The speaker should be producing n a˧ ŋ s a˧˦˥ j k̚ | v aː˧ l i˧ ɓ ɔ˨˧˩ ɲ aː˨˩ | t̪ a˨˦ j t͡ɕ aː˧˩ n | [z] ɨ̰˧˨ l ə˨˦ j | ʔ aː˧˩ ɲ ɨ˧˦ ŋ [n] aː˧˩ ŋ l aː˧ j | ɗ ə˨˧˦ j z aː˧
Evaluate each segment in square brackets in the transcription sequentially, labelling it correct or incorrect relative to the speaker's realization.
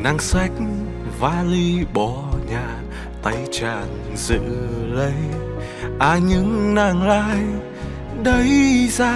correct, correct

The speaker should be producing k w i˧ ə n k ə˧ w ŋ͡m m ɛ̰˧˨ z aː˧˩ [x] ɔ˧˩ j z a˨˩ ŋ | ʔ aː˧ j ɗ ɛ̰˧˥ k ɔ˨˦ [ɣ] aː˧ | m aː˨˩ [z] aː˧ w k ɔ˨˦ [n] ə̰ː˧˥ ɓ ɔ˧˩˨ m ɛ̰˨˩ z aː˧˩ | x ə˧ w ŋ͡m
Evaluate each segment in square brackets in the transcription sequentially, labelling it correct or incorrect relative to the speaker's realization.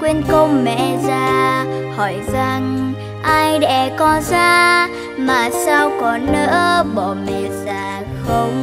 incorrect: h, incorrect: z, incorrect: s, correct

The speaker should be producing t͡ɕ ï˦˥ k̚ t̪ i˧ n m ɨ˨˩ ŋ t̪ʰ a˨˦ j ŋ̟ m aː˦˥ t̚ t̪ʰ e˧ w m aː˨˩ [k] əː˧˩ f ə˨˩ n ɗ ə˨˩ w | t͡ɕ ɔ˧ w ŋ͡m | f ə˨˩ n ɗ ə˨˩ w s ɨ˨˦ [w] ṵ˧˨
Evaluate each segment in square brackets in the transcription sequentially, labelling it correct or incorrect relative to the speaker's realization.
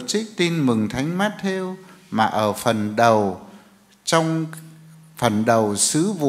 incorrect: ʔ, incorrect: v

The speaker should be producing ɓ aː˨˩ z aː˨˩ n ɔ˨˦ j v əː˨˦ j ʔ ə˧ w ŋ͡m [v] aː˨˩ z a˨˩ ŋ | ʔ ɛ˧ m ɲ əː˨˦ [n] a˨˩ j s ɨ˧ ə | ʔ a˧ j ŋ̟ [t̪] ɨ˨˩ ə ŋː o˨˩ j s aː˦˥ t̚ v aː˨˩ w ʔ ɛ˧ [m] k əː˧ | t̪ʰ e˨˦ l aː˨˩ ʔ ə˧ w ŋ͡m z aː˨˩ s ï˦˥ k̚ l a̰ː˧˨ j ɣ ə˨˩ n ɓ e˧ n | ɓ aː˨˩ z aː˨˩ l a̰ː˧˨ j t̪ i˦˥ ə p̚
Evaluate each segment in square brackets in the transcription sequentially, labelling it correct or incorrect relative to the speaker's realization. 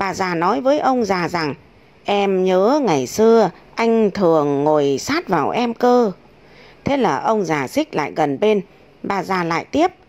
incorrect: z, incorrect: ŋ, incorrect: t̪ʰ, correct

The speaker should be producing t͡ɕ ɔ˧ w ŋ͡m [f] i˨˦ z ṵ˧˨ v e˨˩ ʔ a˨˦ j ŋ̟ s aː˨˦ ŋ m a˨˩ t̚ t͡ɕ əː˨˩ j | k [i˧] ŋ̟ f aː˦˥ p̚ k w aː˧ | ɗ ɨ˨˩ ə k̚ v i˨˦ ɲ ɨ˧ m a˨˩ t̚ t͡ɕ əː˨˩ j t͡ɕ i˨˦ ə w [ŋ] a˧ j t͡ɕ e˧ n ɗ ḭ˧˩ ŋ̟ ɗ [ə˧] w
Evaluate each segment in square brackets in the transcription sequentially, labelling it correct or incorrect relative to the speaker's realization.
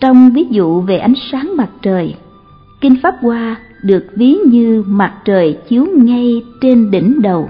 incorrect: v, correct, correct, incorrect: ə˨˩

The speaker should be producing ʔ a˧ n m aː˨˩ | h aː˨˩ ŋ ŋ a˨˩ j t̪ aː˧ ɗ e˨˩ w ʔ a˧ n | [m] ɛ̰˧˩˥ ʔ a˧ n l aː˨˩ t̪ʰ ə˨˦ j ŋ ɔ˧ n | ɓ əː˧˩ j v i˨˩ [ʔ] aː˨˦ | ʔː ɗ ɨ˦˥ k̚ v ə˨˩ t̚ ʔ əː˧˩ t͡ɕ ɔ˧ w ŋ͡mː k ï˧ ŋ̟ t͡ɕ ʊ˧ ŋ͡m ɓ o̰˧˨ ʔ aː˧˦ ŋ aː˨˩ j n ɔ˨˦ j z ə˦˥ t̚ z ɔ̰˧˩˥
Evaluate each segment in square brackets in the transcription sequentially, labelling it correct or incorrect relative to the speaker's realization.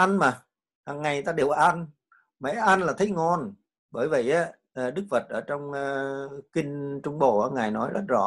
correct, correct

